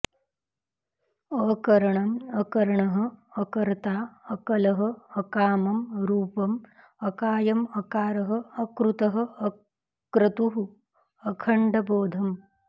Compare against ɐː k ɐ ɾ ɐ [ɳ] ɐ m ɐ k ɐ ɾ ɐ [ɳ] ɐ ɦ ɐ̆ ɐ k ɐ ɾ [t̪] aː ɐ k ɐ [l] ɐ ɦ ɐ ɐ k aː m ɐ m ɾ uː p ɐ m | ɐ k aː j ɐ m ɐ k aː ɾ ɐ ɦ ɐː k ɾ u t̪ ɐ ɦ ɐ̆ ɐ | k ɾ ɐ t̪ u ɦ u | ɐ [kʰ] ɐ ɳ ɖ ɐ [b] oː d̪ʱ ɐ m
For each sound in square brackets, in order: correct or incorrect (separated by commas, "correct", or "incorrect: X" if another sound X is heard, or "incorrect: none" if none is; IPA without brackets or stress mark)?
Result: correct, correct, correct, correct, correct, correct